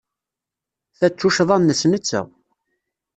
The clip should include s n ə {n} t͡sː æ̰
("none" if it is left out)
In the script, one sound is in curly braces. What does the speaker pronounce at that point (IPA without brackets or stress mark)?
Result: none